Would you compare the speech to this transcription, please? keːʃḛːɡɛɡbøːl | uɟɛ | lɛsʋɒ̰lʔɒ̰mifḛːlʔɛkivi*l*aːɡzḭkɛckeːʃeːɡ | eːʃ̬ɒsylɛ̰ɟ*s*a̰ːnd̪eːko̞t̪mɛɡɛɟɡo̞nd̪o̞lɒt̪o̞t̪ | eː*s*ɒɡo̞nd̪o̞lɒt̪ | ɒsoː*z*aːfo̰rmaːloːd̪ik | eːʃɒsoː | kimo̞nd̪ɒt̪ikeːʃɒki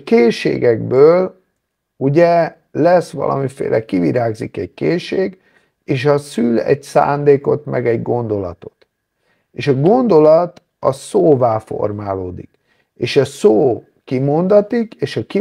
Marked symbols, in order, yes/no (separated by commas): no, yes, no, no